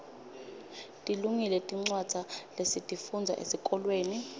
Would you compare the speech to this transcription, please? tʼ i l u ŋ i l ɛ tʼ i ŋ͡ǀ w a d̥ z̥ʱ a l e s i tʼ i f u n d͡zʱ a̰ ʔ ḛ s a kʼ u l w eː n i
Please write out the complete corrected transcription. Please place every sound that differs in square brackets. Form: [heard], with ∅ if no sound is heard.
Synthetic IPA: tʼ i l u ŋ i l ɛ tʼ i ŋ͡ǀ w a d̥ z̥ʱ a l e s i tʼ i f u n d͡zʱ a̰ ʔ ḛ s [i] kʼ [ɔ] l w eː n i